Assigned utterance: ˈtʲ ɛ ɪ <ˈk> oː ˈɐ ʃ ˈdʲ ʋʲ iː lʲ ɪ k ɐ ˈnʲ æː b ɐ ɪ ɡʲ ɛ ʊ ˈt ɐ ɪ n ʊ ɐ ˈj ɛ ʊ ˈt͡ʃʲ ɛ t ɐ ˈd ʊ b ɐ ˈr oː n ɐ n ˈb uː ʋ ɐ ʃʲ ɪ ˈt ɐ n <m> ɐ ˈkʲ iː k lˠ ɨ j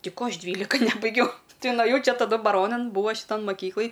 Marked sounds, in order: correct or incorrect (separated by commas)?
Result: correct, correct